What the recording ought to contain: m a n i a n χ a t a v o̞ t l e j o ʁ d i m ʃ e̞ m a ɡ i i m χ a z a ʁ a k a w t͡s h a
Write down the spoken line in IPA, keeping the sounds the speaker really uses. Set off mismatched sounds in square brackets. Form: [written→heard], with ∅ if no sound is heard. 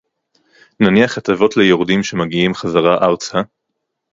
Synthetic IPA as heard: [m→n] a n i a [n→∅] χ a t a v o̞ t l e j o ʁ d i m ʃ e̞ m a ɡ i i m χ a z a ʁ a [k→ʔ] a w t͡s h a